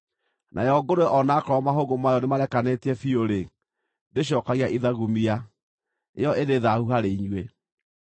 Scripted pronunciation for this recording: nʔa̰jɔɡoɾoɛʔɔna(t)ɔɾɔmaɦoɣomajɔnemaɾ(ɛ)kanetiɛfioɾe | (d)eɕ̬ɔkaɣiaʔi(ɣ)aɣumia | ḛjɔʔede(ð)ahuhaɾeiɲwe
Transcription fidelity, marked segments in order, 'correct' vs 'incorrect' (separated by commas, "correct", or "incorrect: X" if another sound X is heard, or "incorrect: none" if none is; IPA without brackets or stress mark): incorrect: k, correct, correct, incorrect: ð, correct